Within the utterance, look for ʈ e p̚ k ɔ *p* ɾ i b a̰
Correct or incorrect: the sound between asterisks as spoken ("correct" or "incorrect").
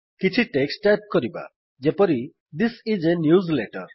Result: incorrect